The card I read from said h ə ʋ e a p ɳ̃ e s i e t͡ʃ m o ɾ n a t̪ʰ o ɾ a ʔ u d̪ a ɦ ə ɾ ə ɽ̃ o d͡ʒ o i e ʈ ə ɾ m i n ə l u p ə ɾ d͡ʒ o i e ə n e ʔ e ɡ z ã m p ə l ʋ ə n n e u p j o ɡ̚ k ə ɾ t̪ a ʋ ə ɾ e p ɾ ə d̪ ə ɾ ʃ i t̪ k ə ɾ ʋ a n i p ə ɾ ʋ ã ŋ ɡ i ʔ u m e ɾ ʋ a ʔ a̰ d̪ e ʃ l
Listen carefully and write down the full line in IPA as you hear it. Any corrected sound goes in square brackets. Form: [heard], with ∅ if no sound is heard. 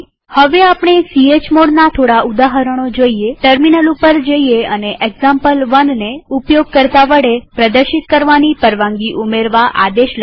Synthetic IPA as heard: h ə ʋ e a p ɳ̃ e s i e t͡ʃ m o [ɽ] n a t̪ʰ o [ɽ] a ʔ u d̪ a ɦ ə ɾ ə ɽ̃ o d͡ʒ o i e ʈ ə ɾ m i n ə l u p ə ɾ d͡ʒ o i e ə n e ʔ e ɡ z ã m p ə l ʋ ə n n e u p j o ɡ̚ k ə ɾ t̪ a ʋ ə [ɽ] e p ɾ ə d̪ ə ɾ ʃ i t̪ k ə ɾ ʋ a n i p ə ɾ ʋ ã ŋ ɡ i ʔ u m e ɾ ʋ a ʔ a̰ d̪ e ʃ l

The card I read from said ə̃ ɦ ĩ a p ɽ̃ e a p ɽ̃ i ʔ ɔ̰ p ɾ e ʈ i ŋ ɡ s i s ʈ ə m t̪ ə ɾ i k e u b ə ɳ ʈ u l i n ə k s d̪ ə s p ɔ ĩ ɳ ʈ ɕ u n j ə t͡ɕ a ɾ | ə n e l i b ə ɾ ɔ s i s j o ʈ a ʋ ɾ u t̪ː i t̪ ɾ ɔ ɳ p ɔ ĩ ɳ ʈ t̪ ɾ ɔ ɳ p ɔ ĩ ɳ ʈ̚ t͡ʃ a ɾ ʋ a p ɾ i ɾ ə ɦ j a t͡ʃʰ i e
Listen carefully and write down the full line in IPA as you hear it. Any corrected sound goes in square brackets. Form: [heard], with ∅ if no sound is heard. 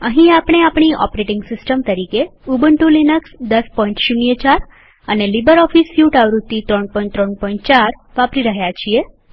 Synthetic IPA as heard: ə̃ ɦ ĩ a p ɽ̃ e a p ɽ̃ i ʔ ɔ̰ p ɾ e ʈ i ŋ ɡ s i s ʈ ə m t̪ ə ɾ i k e u b ə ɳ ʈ u l i n ə k s d̪ ə s p ɔ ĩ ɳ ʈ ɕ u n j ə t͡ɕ a ɾ | ə n e l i b ə ɾ ɔ [f] i s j [u] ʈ a ʋ ɾ u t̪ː i t̪ ɾ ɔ ɳ p ɔ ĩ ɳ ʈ t̪ ɾ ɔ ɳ p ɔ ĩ ɳ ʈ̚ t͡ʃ a ɾ ʋ a p ɾ i ɾ ə ɦ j a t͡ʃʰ i e

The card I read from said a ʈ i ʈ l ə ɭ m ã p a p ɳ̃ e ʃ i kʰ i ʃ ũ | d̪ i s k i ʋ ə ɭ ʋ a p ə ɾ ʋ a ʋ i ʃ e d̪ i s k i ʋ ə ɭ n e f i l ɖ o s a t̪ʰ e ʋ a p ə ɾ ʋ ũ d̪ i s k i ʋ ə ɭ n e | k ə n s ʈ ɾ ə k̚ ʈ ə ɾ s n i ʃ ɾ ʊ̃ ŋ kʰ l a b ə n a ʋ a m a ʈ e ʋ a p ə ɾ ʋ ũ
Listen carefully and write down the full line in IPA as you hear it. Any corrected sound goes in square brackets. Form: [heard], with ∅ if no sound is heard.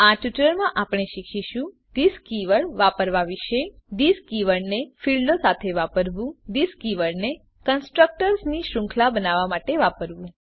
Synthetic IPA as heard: a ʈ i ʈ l ə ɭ m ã [ʔ] a p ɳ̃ e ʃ i kʰ i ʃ ũ | d̪ i s k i ʋ ə ɭ ʋ a p ə ɾ ʋ a ʋ i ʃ e d̪ i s k i ʋ ə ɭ n e f i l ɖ o s a t̪ʰ e ʋ a p ə ɾ ʋ ũ d̪ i s k i ʋ ə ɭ n e | k ə n s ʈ ɾ ə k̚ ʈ ə ɾ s n i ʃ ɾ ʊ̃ ŋ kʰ l a b ə n a ʋ a m a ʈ e ʋ a p ə ɾ ʋ ũ

